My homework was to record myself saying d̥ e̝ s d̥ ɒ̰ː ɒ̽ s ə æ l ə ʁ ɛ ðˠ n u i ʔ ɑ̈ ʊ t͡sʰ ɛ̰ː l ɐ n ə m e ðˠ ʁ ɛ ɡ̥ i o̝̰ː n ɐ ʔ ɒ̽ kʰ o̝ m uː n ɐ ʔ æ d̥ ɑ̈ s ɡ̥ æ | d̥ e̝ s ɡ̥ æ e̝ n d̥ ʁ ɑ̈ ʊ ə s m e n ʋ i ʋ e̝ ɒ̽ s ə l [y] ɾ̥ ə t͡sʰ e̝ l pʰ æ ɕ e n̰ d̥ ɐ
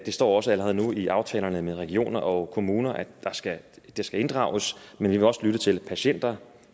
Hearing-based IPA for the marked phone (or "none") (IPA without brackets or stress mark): y